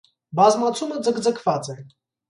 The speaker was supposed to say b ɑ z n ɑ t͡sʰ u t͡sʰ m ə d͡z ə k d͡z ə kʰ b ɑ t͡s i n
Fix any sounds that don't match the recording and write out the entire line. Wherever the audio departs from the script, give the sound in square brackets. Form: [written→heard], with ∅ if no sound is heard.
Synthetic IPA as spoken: b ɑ z [n→m] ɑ t͡sʰ u [t͡sʰ→∅] m ə d͡z ə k d͡z ə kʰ [b→v] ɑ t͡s [i→ɛ] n